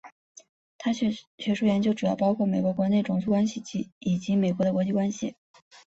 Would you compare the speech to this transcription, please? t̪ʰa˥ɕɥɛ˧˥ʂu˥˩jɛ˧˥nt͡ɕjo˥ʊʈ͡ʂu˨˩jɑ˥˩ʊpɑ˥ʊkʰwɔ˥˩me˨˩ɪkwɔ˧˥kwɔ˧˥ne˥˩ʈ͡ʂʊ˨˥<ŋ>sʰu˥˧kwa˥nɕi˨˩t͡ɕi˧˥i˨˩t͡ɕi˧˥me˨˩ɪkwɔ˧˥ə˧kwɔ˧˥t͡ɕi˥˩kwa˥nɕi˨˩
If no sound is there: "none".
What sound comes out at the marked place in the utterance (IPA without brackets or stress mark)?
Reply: ŋ